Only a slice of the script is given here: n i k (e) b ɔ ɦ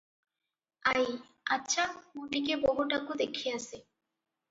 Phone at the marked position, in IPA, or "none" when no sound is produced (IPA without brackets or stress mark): e